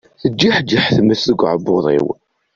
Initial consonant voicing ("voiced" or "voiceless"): voiceless